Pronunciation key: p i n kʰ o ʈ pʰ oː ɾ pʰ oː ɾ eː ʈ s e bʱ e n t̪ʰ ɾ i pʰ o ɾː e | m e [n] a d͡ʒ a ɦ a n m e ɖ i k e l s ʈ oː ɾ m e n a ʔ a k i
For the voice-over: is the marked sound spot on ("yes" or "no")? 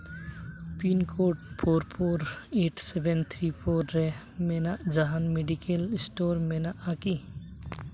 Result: yes